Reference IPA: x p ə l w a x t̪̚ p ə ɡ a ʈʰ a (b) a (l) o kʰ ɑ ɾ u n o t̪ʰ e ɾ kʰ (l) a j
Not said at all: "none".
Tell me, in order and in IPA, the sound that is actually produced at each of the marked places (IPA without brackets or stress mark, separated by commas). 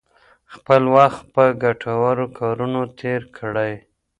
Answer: w, ɾ, ɽ